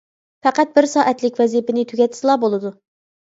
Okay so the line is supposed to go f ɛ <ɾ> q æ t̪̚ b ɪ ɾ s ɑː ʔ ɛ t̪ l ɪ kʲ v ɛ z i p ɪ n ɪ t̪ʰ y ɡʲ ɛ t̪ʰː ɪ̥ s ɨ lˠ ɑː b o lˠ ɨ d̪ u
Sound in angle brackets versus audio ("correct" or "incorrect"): incorrect